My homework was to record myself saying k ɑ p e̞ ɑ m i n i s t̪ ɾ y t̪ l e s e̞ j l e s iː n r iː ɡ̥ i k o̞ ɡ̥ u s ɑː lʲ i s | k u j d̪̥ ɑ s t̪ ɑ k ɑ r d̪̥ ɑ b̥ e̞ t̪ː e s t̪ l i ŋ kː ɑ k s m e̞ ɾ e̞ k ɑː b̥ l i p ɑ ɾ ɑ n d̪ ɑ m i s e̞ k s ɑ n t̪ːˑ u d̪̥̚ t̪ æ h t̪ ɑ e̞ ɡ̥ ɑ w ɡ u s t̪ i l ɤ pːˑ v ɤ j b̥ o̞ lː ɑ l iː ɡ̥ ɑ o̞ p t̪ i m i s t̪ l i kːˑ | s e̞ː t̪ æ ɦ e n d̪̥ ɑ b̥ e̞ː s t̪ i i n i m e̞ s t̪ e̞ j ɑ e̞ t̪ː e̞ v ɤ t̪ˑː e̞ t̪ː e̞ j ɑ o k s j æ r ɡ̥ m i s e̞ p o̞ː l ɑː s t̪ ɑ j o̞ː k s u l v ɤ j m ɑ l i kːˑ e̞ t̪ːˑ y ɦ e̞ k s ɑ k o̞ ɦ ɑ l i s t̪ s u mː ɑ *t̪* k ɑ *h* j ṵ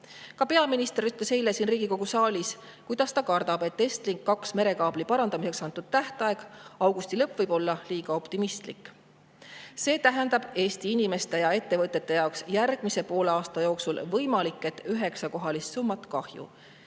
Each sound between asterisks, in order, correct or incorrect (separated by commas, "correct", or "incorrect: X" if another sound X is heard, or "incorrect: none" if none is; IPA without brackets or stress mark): correct, correct